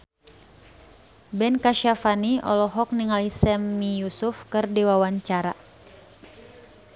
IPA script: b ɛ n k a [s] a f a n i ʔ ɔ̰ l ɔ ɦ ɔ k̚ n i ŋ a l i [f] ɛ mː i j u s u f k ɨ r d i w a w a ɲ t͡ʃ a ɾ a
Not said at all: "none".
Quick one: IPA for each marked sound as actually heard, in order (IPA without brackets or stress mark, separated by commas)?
ʃ, s